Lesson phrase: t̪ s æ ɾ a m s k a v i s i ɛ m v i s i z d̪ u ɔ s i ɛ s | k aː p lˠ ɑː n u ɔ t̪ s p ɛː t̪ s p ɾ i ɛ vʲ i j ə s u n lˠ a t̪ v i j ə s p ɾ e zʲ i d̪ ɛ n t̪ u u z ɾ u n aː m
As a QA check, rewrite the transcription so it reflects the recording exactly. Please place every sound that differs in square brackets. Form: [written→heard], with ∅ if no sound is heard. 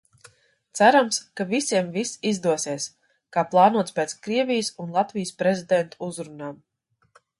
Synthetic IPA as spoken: t̪ s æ ɾ a m s k a v i s i ɛ m v i s i z d̪ u ɔ s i ɛ s | k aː p lˠ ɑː n u ɔ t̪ s p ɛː t̪ s [p→k] ɾ i ɛ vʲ i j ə s u n lˠ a t̪ v i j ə s p ɾ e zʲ i d̪ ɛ n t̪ u u z ɾ u n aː m